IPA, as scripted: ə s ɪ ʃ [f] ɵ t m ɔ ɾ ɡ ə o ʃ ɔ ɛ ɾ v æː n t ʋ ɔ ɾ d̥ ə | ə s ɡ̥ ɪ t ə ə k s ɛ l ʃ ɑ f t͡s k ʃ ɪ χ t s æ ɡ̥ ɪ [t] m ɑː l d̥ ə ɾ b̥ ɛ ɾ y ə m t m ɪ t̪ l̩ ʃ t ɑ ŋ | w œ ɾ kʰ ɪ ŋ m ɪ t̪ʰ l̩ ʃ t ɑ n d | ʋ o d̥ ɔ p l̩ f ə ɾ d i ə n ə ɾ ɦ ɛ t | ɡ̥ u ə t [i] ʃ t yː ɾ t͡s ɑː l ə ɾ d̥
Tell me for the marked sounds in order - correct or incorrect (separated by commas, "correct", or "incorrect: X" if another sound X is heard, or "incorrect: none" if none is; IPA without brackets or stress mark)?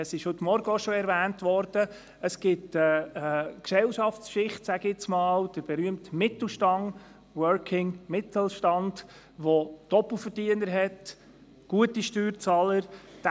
incorrect: h, incorrect: t͡s, correct